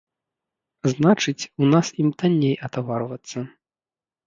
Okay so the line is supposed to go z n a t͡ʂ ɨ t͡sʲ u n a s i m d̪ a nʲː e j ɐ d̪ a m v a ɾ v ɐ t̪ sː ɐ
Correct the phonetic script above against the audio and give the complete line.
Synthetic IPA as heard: z n a t͡ʂ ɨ t͡sʲ u n a s i m t̪ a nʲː e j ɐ t̪ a v a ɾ v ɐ t̪ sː ɐ